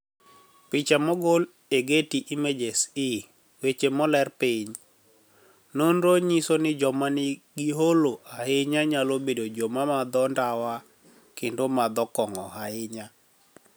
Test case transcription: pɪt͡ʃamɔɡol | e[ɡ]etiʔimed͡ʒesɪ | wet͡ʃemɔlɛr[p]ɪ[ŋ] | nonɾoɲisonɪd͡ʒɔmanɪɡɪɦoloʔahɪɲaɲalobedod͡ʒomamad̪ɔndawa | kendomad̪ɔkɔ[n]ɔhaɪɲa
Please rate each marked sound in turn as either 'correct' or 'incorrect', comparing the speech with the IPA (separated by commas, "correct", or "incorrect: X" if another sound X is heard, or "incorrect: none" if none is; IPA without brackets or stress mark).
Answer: correct, correct, incorrect: ɲ, incorrect: ŋ